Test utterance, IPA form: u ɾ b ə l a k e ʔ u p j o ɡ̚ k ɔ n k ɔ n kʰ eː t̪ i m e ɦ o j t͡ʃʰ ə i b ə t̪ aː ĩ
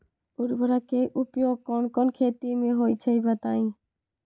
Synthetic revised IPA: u ɾ b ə ɾ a k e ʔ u p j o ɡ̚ k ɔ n k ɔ n kʰ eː t̪ i m e ɦ o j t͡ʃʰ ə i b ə t̪ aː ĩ

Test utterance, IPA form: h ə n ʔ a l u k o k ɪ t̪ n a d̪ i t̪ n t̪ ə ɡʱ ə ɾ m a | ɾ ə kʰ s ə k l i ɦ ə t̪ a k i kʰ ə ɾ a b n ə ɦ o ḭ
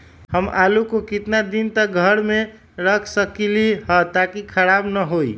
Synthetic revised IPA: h ə m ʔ a l u k o k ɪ t̪ n a d̪ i n t̪ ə ɡʱ ə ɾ m e | ɾ ə kʰ s ə k l i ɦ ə t̪ a k i kʰ ə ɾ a b n ə ɦ o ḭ

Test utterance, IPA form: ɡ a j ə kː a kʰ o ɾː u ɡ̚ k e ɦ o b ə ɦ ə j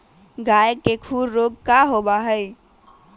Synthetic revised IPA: ɡ a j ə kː e kʰ u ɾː o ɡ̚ k a ɦ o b a ɦ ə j

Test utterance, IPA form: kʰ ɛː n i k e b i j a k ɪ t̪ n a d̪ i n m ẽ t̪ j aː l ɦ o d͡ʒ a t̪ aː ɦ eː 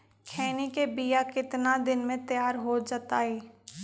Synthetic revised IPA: kʰ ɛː n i k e b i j a k ɪ t̪ n a d̪ ɪ n m ẽ t̪ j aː ɾ ɦ o d͡ʒ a t̪ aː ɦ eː

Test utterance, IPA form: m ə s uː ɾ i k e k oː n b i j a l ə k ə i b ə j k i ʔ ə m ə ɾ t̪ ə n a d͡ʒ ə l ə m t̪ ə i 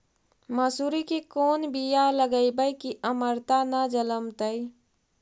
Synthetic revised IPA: m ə s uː ɾ i k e k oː n b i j a l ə ɡ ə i b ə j k i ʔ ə m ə ɾ t̪ a n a d͡ʒ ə l ə m t̪ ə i

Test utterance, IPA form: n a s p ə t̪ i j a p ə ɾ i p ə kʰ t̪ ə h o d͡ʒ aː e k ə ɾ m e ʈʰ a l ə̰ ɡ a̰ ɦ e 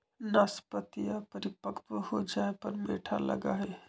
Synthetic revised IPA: n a s p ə t̪ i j a p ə ɾ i p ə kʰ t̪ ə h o d͡ʒ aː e p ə ɾ m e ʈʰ a l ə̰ ɡ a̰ ɦ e

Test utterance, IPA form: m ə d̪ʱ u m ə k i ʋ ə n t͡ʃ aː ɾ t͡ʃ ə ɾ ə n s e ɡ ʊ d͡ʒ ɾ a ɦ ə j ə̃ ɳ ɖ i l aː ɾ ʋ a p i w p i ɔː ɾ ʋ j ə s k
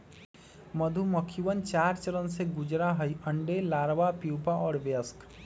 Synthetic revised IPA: m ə d̪ʱ u m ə kʰ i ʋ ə n t͡ʃ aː ɾ t͡ʃ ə ɾ ə n s e ɡ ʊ d͡ʒ ɾ a ɦ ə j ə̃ ɳ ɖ e l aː ɾ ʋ a p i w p a ɔː ɾ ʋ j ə s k

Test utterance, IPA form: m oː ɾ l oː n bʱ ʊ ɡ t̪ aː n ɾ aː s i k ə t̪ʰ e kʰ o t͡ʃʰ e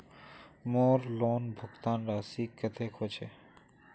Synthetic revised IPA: m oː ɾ l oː n bʱ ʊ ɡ t̪ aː n ɾ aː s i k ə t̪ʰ e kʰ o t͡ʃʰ e

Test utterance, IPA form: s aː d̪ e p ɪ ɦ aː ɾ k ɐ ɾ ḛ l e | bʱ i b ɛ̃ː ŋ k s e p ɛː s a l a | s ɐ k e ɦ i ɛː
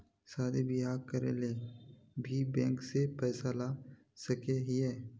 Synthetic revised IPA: s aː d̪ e b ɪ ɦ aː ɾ k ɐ ɾ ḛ l e | bʱ i b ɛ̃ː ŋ k s e p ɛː s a l a | s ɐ k e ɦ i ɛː

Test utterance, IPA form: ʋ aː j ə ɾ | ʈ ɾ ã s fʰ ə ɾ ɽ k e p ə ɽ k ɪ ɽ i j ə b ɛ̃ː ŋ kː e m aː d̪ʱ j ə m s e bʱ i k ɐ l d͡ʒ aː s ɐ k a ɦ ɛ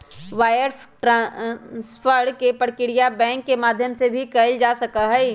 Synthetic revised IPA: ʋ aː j ə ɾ | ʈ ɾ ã s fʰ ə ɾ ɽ k e p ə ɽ k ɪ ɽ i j a b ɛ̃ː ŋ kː e m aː d̪ʱ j ə m s e bʱ i k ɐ l d͡ʒ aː s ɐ k a ɦ ɛ

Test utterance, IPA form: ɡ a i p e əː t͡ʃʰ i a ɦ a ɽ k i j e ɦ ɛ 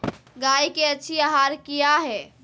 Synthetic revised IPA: ɡ a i k e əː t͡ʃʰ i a ɦ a ɾ k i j a ɦ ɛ

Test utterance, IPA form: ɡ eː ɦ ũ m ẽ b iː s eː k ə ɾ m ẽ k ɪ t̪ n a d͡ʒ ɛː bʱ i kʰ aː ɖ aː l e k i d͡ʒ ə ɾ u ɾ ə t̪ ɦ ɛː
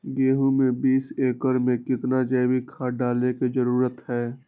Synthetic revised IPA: ɡ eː ɦ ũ m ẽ b iː s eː k ə ɾ m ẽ k ɪ t̪ n a d͡ʒ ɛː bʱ i kʰ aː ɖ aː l e k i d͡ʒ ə ɾ uː ɾ ə t̪ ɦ ɛː

